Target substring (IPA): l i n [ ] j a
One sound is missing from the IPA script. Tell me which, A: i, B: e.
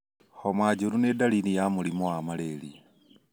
A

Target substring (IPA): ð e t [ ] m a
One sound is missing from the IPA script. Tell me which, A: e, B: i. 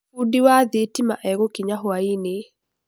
B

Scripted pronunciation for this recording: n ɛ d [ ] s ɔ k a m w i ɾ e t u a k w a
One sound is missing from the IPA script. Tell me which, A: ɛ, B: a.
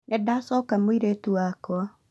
B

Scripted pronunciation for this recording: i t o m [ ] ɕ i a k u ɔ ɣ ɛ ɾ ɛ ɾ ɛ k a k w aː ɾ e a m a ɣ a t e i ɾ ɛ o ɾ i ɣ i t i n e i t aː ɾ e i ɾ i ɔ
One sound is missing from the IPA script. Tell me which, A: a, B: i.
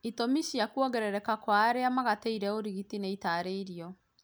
B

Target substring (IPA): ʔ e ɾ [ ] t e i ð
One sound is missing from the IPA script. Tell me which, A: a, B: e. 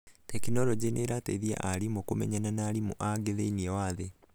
A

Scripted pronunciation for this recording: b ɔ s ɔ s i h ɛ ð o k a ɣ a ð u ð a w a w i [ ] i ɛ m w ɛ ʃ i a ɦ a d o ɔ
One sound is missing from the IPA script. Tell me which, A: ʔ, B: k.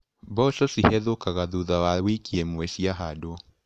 B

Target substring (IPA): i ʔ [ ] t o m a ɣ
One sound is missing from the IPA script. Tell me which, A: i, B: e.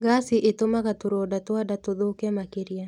B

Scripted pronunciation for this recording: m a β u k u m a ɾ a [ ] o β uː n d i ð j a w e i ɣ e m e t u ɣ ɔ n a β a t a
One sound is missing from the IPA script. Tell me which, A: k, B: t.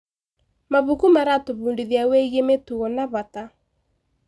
B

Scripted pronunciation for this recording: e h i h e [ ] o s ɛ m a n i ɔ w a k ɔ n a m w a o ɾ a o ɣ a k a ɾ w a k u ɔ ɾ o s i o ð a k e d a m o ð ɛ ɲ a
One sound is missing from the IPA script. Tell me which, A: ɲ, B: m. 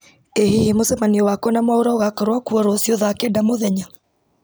B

